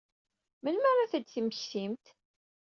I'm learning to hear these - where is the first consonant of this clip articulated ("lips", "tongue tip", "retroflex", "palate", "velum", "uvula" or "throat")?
lips